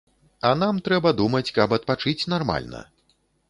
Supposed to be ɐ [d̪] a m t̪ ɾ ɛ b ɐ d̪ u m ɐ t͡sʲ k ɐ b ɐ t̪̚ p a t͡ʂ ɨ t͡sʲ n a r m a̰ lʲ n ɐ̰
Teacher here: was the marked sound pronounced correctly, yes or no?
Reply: no